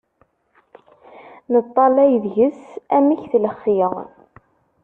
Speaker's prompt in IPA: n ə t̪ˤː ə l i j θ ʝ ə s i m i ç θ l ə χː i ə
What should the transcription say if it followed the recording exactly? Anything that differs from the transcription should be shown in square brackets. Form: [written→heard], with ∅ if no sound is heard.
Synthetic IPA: n ə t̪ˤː [ə→ɑ] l [i→æ] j [θ→ð] ʝ ə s [i→æ] m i ç θ l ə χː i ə